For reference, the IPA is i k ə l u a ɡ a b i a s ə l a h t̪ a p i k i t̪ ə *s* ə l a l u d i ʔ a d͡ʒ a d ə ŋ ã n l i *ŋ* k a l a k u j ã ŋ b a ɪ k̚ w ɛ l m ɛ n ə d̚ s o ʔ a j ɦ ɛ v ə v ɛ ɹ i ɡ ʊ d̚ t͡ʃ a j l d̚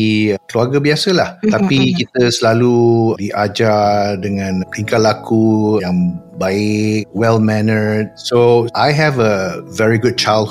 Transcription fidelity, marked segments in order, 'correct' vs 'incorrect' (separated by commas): correct, correct